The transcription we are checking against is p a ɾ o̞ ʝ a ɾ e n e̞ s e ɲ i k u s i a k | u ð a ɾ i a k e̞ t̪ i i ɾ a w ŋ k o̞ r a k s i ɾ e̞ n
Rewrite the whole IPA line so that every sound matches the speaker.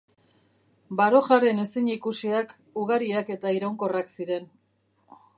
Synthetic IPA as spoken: b a ɾ o̞ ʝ a ɾ e n e̞ s i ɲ i k u s i a k | u ɣ a ɾ i a k e̞ t̪ a i ɾ a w ŋ k o̞ r a k s i ɾ e̞ n